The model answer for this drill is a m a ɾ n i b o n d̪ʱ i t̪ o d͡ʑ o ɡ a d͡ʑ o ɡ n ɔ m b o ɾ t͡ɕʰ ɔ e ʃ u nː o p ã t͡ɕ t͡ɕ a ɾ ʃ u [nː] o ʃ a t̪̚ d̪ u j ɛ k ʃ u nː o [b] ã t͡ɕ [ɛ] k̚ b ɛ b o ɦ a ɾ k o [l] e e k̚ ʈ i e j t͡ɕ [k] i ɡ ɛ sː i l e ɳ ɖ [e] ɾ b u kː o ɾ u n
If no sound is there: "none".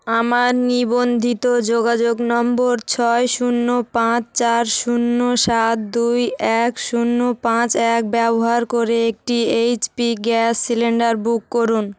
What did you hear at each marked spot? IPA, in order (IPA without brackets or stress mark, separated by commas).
nː, p, ɛ, ɾ, p, a